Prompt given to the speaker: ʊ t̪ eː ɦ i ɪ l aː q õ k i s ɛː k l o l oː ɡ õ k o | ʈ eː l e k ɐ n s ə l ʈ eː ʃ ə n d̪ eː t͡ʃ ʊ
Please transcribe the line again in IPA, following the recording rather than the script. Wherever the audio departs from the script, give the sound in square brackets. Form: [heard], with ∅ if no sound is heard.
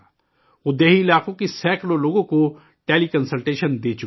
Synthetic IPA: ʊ [d̪] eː ɦ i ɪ l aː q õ k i s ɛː k l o l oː ɡ õ k o | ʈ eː l [i] k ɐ n s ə l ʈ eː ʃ ə n d̪ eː t͡ʃ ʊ